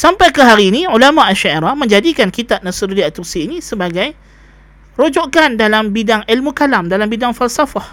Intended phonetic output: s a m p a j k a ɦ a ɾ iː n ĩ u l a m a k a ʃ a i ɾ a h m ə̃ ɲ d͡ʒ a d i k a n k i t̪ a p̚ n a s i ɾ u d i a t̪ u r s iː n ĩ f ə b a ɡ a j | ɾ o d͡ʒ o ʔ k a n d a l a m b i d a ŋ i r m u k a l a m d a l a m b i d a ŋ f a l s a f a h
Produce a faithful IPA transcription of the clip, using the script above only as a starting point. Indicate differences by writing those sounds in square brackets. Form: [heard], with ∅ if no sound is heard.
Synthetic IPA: s a m p a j k [ə] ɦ a ɾ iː n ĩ u l a m a [ʔ] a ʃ a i ɾ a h m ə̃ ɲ d͡ʒ a d i k a n k i t̪ a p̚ n a s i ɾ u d i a t̪ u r s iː n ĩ [s] ə b a ɡ a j | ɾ o d͡ʒ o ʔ k a n d a l a m b i d a ŋ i [l] m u k a l a m d a l a m b i d a ŋ f a l s a f a h